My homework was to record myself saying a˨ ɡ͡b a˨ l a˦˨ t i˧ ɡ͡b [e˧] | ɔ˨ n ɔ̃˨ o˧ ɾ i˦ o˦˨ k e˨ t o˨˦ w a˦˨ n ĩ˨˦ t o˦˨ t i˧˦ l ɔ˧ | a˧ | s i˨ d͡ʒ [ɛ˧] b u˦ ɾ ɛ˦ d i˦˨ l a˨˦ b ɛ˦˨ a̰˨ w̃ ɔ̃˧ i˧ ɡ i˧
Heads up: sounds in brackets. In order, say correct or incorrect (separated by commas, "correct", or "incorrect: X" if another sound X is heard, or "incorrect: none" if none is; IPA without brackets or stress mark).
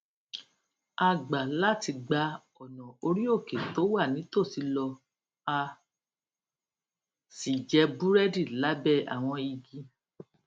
incorrect: a˧, correct